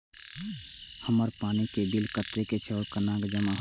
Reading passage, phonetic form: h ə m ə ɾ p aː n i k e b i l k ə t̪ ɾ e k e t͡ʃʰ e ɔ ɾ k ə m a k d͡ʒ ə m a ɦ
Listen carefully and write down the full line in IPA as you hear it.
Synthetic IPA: h ə m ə ɾ p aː n i k e b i l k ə t̪ ɾ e k e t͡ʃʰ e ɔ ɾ k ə n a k d͡ʒ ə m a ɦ